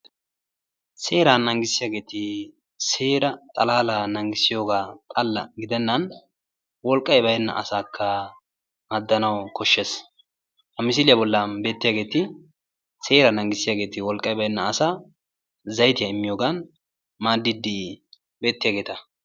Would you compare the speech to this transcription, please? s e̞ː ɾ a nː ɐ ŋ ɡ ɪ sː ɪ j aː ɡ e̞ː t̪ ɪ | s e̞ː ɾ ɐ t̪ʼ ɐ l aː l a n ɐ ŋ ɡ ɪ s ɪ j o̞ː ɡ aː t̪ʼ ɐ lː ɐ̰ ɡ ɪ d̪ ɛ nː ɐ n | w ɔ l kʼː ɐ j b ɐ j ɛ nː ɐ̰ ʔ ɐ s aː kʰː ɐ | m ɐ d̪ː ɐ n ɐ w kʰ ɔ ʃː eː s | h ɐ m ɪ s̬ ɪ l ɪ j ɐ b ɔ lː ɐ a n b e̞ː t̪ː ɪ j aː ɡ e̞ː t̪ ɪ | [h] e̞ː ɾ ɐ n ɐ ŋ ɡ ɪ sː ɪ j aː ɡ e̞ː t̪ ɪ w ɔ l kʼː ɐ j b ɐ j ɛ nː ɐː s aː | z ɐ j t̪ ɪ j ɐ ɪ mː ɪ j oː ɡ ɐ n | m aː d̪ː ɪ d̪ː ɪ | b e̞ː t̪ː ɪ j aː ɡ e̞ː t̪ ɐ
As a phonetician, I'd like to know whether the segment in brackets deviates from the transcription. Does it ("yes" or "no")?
yes